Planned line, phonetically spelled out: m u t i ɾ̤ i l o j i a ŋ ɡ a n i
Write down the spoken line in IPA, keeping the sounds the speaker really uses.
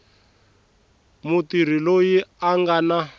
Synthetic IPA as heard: m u t i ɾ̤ i l o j i a ŋ ɡ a n a